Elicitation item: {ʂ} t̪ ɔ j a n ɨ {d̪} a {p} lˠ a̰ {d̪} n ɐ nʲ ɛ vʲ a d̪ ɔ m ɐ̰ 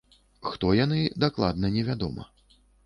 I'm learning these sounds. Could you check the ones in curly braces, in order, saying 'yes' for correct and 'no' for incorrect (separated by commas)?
no, yes, no, yes